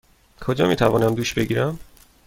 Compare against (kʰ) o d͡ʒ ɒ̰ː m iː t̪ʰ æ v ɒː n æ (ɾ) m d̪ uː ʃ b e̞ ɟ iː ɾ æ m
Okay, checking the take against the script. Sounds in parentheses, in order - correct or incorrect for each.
correct, incorrect: none

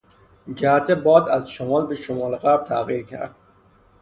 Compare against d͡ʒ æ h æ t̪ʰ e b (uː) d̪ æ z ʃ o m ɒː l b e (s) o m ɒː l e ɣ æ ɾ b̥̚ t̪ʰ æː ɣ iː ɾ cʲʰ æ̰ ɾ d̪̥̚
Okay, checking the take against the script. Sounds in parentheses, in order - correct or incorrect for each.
incorrect: ɒː, incorrect: ʃ

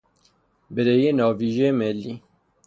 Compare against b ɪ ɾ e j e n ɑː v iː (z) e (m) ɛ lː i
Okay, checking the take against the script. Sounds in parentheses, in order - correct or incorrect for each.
incorrect: ʒ, correct

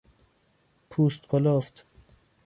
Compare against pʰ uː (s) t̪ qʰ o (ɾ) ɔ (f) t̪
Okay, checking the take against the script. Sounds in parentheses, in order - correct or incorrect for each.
correct, incorrect: l, correct

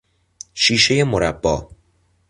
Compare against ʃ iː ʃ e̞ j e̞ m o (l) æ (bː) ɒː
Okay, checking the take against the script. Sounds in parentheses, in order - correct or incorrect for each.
incorrect: ɾ, correct

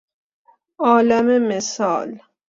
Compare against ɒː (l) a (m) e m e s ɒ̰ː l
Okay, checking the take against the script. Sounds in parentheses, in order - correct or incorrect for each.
correct, correct

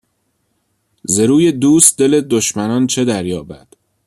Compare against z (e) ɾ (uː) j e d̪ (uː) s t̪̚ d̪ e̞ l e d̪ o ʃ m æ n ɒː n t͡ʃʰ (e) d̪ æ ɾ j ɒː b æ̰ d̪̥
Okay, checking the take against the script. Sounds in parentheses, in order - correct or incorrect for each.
correct, correct, correct, correct

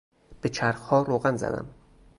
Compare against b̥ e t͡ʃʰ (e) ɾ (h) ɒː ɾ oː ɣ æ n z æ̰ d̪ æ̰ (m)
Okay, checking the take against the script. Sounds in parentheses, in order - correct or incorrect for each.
incorrect: æ, correct, correct

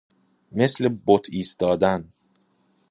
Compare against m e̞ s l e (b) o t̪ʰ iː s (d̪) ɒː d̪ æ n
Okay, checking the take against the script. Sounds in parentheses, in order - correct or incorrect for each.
correct, incorrect: t̪

